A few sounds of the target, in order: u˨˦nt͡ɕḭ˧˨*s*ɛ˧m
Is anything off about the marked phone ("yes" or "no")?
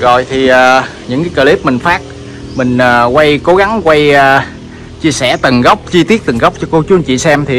no